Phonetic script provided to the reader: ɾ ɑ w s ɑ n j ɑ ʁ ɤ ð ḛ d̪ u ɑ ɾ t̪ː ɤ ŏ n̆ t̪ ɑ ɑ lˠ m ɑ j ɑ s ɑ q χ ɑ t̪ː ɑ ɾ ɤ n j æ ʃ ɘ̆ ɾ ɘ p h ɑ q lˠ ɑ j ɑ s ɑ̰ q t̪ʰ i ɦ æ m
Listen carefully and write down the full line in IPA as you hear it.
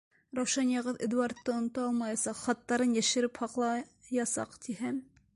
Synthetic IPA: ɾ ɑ w ʃ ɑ n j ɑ ʁ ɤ ð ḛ d̪ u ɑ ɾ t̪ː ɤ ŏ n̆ t̪ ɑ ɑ lˠ m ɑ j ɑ s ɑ q χ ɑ t̪ː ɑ ɾ ɤ n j æ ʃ ɘ̆ ɾ ɘ p h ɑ q lˠ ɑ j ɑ s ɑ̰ q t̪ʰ i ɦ æ m